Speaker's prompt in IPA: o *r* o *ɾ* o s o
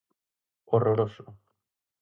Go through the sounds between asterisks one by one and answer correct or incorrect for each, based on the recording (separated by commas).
correct, correct